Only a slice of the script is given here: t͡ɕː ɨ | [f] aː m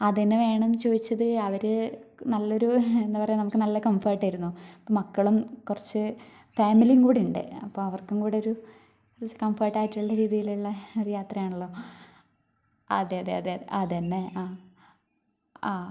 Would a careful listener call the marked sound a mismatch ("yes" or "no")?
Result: no